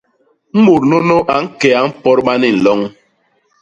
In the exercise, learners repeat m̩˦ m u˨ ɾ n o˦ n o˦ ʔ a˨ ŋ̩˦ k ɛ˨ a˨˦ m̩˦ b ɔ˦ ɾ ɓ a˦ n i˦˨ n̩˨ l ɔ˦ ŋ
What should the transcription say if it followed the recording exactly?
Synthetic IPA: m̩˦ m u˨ ɾ n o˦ n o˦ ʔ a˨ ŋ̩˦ k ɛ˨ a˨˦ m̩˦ p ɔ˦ ɾ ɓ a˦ n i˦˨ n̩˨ l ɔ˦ ŋ